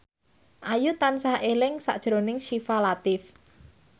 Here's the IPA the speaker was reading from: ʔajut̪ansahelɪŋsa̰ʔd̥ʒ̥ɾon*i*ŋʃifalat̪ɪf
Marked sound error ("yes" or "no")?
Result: yes